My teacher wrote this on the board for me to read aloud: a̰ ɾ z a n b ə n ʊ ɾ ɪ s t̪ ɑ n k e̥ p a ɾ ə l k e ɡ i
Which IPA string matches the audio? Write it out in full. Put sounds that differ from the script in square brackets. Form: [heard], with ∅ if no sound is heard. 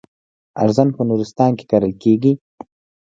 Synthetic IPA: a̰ ɾ z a n [p] ə n [u] ɾ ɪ s t̪ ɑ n k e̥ [k] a ɾ ə l k e ɡ i

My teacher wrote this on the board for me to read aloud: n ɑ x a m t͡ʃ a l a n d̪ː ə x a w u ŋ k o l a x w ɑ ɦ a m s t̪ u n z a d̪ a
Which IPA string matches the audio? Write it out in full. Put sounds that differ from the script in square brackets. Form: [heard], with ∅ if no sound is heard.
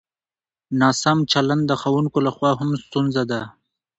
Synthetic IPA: n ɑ [s] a m t͡ʃ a l a n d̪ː ə x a w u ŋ k o l a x w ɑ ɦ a m s t̪ u n z a d̪ a

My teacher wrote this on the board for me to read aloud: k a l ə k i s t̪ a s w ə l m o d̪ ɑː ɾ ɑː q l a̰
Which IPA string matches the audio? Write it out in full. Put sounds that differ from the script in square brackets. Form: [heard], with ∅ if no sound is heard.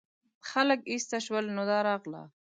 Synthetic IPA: [x] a l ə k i s t̪ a [ʃ] w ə l [n] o d̪ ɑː ɾ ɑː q l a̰

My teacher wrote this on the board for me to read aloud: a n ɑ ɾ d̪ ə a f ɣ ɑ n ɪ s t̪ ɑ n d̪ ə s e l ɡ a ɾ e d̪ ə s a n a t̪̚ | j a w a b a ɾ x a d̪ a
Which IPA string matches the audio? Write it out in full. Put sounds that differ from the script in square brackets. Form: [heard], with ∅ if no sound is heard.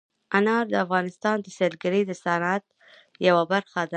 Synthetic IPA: a n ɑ ɾ d̪ ə a f ɣ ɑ n ɪ s t̪ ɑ n d̪ ə s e l ɡ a ɾ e d̪ ə s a n a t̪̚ | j a w a b a ɾ x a d̪ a

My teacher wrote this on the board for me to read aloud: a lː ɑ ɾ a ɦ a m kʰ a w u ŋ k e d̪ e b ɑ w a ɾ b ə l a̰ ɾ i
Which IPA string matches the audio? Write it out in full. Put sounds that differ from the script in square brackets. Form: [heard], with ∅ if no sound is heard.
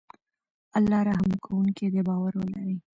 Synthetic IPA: a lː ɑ ɾ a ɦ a m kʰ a w u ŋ k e d̪ e b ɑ w a ɾ [w] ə l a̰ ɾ i

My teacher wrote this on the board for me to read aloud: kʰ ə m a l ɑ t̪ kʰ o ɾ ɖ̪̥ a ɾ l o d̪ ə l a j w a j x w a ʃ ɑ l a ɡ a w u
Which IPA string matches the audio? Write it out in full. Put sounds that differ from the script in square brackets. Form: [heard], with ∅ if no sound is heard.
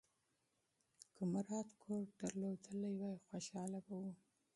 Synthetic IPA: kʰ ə m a [ɾ] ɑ t̪ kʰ o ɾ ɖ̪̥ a ɾ l o d̪ ə l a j w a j x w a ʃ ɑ l a [b] a w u

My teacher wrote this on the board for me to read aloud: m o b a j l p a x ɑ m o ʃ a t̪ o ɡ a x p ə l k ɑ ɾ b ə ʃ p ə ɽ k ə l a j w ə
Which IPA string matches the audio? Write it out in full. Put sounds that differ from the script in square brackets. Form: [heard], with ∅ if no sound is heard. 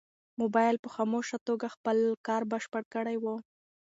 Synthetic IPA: m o b [ɑ] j l p [ə] x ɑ m o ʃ a t̪ o ɡ a x p ə l k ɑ ɾ b ə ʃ p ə ɽ k ə [ɽ] a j w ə

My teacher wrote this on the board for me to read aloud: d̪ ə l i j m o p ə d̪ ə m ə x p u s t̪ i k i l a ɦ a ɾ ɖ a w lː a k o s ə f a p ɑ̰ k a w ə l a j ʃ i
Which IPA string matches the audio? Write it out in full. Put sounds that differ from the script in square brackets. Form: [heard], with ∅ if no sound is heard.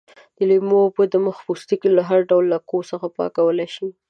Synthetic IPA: d̪ ə l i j m o p ə d̪ ə m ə x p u s t̪ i k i l a ɦ a ɾ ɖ a w lː a k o s ə [x] a p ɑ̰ k a w ə l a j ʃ i

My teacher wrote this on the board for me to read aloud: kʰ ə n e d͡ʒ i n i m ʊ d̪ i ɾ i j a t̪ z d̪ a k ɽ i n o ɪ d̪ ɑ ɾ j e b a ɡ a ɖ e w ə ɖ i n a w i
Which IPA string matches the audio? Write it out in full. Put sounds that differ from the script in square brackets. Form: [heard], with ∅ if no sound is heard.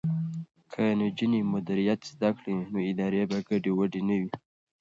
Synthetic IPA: kʰ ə n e d͡ʒ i n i m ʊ d̪ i ɾ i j a t̪ z d̪ a k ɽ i n o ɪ d̪ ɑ ɾ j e b a ɡ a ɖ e w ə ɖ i n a w i

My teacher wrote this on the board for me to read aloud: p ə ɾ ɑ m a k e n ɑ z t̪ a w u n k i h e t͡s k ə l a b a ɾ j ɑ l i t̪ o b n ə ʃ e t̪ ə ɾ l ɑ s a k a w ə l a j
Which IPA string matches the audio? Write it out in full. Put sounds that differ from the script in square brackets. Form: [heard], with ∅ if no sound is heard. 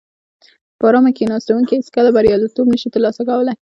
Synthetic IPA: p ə ɾ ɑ m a k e n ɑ [s] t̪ a w u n k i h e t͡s k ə l a b a ɾ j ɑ l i t̪ o b n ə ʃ [i] t̪ ə ɾ l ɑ s a k a w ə l a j

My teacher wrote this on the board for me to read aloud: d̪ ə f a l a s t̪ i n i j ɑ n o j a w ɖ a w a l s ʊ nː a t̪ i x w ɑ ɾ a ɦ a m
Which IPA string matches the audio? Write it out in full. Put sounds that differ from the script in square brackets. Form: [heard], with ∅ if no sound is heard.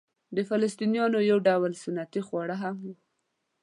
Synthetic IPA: d̪ ə f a l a s t̪ i n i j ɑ n o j a w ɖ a w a l s ʊ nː a t̪ i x w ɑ [ɽ] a ɦ a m

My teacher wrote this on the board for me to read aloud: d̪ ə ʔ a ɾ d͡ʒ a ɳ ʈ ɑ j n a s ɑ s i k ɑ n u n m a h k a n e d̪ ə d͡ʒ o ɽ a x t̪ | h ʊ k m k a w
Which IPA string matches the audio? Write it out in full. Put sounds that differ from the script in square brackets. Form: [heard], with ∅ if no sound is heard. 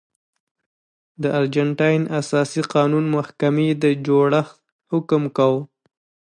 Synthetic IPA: d̪ ə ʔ a ɾ d͡ʒ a ɳ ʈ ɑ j n a s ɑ s i [q] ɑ n u n m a h k a [m] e d̪ ə d͡ʒ o ɽ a x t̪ | h ʊ k m k a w

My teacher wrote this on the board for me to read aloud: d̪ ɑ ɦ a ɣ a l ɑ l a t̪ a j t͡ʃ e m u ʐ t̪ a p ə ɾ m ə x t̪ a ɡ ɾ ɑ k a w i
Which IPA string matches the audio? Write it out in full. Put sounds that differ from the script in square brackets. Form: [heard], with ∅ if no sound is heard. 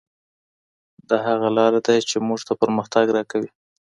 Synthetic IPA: d̪ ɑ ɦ a ɣ a l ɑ [ɾ] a [d̪] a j t͡ʃ e m u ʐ t̪ a p ə ɾ m ə x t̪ a ɡ ɾ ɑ k a w i

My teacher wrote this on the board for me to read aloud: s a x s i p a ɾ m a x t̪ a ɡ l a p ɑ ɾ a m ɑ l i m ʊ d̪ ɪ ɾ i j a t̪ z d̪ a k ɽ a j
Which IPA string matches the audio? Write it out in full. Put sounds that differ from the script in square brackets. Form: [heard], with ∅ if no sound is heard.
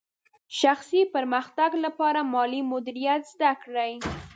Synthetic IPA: [ʃ] a x s i p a ɾ m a x t̪ a ɡ l a p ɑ ɾ a m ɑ l i m ʊ d̪ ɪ ɾ i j a t̪ z d̪ a k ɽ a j

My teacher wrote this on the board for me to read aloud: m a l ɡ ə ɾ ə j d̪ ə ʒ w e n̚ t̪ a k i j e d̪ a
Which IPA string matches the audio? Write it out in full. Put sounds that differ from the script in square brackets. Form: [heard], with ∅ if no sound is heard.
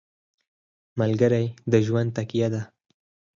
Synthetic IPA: m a l ɡ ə ɾ [a] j d̪ ə ʒ w [a] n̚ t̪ a k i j [a] d̪ a

